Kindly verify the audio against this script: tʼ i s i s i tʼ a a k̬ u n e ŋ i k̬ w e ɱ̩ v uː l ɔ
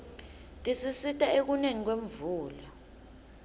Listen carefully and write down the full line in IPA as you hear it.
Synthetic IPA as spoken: tʼ i s i s i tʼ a e k̬ u n e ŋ i k̬ w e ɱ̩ v uː l ɔ